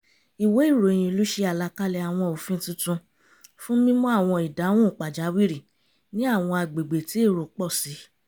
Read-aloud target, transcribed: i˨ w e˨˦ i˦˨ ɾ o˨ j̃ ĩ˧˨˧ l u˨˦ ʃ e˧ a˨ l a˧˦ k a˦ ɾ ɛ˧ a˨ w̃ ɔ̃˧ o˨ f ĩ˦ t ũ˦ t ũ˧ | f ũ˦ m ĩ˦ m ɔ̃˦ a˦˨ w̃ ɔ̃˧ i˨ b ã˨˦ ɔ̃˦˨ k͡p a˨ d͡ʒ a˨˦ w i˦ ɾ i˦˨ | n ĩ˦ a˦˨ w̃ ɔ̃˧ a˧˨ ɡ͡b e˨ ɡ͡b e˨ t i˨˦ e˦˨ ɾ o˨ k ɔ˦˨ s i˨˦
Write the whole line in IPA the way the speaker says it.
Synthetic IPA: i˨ w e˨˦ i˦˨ ɾ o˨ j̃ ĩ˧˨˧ l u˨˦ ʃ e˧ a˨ l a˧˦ k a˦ l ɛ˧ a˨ w̃ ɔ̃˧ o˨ f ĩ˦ t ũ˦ t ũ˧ | f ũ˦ m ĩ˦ m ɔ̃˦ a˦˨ w̃ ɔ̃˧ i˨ d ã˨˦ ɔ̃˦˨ k͡p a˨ d͡ʒ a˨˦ w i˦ ɾ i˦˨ | n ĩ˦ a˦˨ w̃ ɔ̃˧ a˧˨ ɡ͡b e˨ ɡ͡b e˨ t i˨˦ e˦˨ ɾ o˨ k͡p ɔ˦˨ s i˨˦